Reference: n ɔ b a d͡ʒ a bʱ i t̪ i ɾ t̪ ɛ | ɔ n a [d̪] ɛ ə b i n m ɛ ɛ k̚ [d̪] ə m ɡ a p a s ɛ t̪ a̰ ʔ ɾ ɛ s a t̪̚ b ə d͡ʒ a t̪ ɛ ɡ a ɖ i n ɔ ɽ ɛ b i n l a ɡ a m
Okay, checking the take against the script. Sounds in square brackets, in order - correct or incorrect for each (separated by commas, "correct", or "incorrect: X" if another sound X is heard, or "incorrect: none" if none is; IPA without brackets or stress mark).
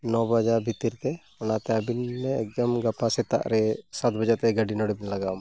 incorrect: t̪, correct